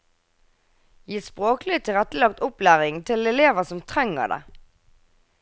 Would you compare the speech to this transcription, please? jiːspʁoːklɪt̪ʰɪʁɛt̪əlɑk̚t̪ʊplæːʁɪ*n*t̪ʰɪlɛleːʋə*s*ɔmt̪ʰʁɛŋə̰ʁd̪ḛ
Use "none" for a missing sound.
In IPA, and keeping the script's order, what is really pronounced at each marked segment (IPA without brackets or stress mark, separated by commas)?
ŋ, s